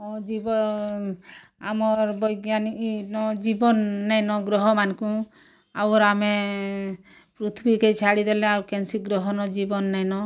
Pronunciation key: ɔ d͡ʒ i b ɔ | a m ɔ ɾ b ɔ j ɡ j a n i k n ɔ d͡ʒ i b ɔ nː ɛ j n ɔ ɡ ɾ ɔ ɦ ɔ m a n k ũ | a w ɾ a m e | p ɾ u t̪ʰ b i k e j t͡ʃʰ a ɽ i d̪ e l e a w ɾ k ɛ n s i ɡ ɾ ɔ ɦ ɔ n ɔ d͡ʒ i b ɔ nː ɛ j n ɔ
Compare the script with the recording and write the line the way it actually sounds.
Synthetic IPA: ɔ d͡ʒ i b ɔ | a m ɔ ɾ b ɔ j ɡ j a n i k n ɔ d͡ʒ i b ɔ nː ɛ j n ɔ ɡ ɾ ɔ ɦ ɔ m a n k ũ | a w ɾ a m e | p ɾ u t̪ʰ b i k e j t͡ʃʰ a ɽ i d̪ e l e a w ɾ k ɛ n s i ɡ ɾ ɔ ɦ ɔ n ɔ d͡ʒ i b ɔ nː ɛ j n ɔ